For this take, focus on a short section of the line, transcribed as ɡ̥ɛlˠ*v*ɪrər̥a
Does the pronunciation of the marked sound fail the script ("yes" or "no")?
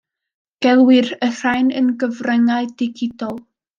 yes